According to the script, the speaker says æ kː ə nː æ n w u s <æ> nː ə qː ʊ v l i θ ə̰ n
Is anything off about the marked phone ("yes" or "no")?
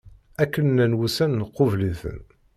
no